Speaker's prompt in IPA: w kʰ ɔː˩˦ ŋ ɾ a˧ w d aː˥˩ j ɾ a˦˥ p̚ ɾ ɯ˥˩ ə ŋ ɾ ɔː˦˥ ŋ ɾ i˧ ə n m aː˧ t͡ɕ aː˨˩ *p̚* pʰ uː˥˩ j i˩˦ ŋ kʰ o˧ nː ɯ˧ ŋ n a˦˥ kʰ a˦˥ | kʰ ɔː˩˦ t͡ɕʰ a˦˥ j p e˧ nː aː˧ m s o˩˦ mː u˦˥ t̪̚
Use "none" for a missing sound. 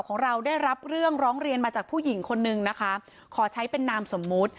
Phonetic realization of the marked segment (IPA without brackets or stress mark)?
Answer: k̚